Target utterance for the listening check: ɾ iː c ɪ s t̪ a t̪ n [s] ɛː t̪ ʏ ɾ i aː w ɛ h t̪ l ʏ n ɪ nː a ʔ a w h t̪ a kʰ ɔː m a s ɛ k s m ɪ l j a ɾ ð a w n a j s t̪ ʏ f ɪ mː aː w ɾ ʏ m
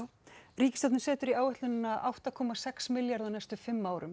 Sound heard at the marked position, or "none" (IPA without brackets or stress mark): s